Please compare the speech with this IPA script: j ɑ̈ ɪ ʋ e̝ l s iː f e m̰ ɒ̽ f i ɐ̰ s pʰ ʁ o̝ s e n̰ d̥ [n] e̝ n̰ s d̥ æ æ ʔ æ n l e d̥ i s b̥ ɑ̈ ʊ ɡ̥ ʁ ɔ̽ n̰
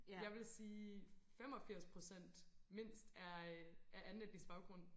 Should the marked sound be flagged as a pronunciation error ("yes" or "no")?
yes